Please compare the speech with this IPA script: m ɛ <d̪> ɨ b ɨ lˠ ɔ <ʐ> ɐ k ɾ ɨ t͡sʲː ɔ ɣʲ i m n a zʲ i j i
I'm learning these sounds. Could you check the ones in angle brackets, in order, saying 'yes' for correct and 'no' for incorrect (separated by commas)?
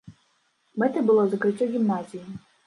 no, no